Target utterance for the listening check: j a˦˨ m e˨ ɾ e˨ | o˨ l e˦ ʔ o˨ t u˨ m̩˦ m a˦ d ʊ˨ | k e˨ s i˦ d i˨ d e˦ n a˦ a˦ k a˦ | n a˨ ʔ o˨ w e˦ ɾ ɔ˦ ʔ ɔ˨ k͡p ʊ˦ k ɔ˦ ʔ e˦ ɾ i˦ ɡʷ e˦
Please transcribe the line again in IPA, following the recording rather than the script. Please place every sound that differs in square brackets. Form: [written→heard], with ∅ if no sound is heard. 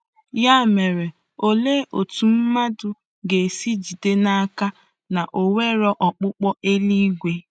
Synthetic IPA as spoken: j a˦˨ m e˨ ɾ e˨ | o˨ l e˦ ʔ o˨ t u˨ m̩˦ m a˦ d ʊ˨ | [k→ɡ] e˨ s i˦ [d→d͡ʒ] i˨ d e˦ n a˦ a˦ k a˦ | n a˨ ʔ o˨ w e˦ ɾ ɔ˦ ʔ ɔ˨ k͡p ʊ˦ [k→k͡p] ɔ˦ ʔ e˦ [ɾ→l] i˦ ɡʷ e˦